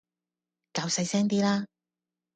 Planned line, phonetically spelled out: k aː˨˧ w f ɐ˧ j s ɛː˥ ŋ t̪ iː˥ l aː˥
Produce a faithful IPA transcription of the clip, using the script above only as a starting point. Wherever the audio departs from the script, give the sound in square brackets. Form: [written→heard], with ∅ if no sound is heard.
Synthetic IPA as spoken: k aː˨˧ w [f→s] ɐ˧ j s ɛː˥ ŋ t̪ iː˥ l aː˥